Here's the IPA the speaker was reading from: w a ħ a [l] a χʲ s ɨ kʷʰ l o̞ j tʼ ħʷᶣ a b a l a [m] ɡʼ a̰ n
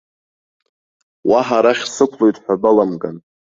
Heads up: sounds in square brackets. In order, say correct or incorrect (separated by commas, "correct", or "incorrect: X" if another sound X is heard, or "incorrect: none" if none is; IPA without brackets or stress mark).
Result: incorrect: ɾ, correct